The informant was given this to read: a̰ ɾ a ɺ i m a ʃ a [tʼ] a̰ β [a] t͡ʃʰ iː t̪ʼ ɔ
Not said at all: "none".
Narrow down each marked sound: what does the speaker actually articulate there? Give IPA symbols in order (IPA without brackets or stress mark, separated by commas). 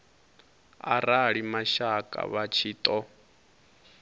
kʼ, a